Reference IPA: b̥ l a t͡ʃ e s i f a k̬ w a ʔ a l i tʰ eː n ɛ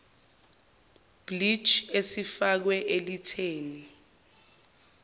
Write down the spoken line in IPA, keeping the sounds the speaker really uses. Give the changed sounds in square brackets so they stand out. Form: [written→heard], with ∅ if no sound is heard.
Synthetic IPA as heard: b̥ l [a→i] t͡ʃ e s i f a k̬ w [a→ɛ] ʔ [a→e] l i tʰ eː n [ɛ→i]